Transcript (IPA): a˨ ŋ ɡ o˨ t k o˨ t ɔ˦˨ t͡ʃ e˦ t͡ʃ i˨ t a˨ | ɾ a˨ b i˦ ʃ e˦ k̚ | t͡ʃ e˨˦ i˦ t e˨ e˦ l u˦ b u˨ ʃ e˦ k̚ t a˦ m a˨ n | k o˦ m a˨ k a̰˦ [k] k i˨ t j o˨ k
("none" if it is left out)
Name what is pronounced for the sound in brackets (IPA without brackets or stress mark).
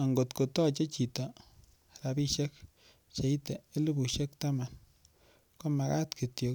t